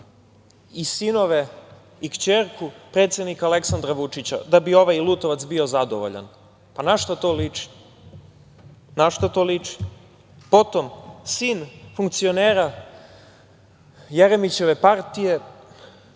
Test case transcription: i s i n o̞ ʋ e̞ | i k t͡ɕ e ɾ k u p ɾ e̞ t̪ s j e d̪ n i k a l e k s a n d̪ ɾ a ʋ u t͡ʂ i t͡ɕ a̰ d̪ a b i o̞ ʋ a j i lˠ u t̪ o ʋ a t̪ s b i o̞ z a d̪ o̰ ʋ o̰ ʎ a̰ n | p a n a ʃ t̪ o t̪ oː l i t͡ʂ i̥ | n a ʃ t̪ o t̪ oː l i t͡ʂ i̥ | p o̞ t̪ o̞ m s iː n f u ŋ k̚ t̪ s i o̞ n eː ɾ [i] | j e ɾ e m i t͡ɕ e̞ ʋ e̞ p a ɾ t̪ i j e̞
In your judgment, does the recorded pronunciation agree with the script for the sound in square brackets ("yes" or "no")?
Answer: no